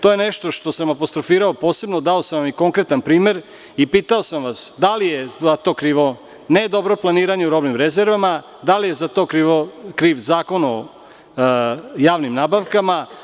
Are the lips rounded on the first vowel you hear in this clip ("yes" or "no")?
yes